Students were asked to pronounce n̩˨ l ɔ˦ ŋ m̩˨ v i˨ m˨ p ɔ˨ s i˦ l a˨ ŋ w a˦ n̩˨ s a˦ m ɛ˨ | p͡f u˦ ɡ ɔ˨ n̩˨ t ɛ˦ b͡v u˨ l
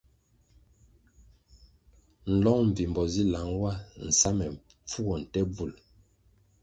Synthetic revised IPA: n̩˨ l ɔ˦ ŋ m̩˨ v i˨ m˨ b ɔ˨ z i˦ l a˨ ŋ w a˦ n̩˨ s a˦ m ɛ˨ | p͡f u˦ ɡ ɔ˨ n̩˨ t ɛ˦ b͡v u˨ l